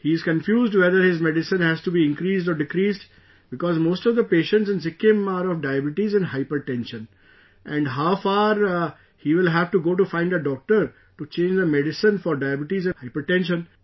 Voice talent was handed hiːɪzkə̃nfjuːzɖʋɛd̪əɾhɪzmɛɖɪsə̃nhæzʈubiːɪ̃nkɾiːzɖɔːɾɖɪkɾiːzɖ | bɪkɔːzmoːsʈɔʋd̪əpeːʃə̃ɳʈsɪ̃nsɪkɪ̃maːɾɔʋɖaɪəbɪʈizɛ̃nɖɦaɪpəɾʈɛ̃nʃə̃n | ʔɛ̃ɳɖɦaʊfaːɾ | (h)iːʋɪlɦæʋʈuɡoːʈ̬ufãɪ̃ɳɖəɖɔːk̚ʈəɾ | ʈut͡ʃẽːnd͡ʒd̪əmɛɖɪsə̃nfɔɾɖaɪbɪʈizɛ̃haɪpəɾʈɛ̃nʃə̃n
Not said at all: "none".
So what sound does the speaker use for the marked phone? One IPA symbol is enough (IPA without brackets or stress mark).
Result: h